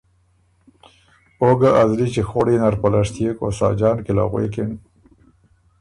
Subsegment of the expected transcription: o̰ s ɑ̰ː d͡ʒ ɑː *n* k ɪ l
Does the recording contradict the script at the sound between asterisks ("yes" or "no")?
no